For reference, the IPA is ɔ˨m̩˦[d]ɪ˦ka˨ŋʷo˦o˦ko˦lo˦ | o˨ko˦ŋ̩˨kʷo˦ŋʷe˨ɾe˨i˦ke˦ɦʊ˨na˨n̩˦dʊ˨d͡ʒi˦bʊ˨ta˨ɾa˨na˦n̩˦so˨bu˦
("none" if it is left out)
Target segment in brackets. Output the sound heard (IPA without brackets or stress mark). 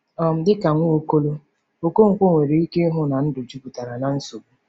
d